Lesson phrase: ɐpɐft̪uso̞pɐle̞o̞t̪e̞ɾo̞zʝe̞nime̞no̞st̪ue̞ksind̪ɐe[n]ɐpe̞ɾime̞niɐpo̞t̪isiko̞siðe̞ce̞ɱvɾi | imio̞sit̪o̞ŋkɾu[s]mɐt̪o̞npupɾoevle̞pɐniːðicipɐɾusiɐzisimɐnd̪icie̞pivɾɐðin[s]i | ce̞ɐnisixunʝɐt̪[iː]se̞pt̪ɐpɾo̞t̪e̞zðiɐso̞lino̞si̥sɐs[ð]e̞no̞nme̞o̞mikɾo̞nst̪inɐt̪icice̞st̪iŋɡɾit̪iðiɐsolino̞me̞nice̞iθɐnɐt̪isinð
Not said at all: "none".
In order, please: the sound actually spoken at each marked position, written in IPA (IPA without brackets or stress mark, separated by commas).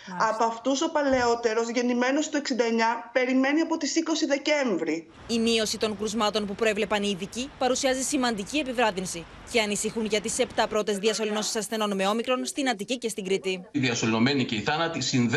ɲ, z, s, i, θ